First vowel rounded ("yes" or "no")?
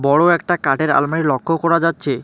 yes